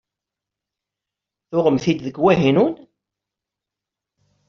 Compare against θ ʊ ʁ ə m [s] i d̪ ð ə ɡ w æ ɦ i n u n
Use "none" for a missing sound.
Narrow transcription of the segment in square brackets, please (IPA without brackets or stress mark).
θ